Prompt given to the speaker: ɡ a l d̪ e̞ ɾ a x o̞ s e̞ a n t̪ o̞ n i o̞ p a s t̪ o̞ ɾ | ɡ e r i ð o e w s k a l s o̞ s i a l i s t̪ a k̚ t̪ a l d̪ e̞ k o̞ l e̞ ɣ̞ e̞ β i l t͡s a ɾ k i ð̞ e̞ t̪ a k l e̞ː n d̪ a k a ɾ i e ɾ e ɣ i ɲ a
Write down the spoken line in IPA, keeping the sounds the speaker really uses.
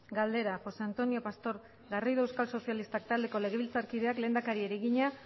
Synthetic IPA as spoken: ɡ a l d̪ e̞ ɾ a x o̞ s e̞ a n t̪ o̞ n i o̞ p a s t̪ o̞ ɾ | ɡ a r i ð o e w s k a l s o̞ s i a l i s t̪ a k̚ t̪ a l d̪ e̞ k o̞ l e̞ ɣ̞ e̞ β i l t͡s a ɾ k i ð̞ e̞ a k l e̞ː n d̪ a k a ɾ i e ɾ e ɣ i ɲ a